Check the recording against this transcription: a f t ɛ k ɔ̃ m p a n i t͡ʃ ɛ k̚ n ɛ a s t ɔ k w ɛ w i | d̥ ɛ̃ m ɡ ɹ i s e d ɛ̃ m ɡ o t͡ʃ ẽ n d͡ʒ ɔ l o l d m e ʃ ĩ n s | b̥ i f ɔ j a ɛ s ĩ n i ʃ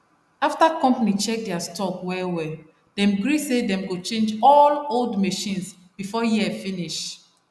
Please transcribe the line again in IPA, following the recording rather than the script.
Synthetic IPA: a f t a k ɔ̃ m p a n i t͡ʃ ɛ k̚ d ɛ a s t ɔ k w ɛ w ɛ | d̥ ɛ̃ m ɡ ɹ i s e d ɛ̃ m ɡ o t͡ʃ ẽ n d͡ʒ ɔ l o l d m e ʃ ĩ n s | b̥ i f ɔ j i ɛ f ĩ n i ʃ